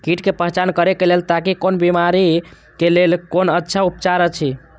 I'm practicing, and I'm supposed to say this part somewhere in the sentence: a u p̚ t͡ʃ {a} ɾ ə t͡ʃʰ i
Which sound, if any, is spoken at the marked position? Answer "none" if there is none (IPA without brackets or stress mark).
a